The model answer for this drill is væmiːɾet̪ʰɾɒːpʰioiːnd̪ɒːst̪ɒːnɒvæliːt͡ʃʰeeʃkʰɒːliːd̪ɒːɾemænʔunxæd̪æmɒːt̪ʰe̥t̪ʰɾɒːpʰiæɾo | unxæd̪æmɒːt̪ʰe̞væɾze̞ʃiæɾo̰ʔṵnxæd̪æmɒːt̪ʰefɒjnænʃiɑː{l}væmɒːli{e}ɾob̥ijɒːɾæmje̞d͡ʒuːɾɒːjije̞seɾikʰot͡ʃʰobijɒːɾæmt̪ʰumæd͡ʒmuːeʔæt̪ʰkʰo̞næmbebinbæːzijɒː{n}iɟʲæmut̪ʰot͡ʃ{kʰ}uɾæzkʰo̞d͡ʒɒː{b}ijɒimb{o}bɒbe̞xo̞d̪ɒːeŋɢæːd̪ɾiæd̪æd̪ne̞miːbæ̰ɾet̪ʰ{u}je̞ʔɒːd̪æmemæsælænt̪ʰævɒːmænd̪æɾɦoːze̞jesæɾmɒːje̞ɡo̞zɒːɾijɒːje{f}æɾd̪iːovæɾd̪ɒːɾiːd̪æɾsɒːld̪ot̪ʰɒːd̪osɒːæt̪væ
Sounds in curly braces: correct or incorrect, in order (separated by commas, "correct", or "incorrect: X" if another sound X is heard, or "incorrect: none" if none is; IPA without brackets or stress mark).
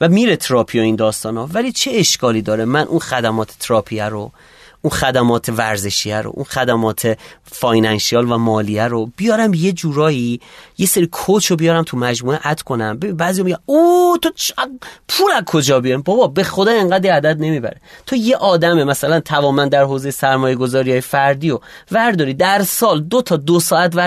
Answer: correct, incorrect: æ, incorrect: m, incorrect: pʰ, correct, incorrect: ɒ, incorrect: o, correct